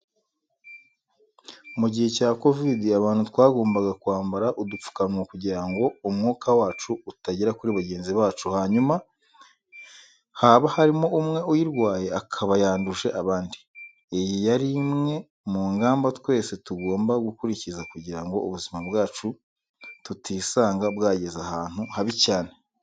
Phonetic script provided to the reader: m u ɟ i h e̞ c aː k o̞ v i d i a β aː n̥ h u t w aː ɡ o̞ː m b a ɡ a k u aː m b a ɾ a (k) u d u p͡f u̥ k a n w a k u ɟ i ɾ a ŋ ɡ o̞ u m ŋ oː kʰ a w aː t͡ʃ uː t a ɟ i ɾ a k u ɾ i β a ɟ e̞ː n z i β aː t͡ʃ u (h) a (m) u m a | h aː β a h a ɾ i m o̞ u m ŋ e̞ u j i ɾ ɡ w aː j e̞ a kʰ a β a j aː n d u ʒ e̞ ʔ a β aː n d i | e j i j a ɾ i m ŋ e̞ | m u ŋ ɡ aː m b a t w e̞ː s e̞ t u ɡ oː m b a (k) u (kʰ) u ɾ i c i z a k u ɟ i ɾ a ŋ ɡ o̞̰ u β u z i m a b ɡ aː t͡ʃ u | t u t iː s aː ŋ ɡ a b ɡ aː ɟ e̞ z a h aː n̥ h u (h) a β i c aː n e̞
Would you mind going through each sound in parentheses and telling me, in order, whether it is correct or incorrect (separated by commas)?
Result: incorrect, correct, incorrect, incorrect, incorrect, correct